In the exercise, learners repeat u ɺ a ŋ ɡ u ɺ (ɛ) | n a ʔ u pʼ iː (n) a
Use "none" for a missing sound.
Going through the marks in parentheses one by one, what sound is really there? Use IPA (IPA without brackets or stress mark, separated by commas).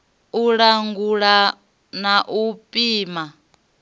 a, m